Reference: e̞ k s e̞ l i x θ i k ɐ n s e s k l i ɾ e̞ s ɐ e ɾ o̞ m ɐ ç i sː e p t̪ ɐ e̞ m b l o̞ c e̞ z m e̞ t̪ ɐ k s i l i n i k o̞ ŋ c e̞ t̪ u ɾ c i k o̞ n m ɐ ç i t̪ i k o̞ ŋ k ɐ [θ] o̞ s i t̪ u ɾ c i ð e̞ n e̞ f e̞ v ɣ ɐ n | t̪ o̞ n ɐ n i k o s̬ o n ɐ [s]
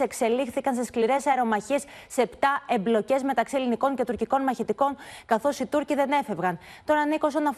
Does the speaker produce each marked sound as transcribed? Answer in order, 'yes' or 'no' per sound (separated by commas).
yes, no